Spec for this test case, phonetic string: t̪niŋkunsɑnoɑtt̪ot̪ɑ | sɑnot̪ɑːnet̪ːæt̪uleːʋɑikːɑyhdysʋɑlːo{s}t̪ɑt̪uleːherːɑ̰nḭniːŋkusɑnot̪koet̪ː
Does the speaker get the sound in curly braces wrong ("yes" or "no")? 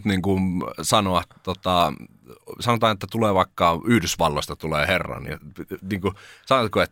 no